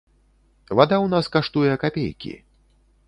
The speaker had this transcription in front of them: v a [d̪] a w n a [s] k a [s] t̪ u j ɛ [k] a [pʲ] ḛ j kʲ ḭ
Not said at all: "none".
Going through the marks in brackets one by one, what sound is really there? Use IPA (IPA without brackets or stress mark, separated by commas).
d̪, s, ʂ, k, pʲ